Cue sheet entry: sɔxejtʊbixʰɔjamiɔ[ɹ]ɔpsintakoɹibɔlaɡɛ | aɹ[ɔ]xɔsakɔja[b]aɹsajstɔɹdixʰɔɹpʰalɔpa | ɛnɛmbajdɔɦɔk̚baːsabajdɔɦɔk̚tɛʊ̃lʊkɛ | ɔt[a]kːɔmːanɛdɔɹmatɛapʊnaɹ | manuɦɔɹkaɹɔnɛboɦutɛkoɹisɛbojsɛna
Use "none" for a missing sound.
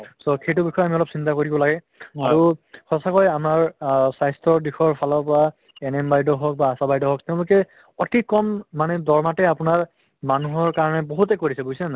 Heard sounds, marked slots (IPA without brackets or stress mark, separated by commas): l, u, m, i